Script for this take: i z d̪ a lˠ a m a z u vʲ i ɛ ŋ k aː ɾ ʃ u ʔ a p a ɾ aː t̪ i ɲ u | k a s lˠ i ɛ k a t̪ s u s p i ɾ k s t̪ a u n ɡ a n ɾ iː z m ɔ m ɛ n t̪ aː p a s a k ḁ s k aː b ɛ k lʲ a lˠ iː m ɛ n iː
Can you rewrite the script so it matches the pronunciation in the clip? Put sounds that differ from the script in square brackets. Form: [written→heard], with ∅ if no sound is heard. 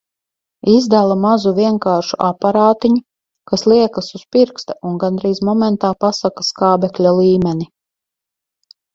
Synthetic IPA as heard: i z d̪ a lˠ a m a z u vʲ i ɛ ŋ k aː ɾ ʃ u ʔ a p a ɾ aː t̪ i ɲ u | k a s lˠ i ɛ k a [t̪→∅] s u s p i ɾ k s t̪ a u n ɡ a n ɾ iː z m ɔ m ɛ n t̪ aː p a s a k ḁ s k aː b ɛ k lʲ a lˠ iː m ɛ n [iː→i]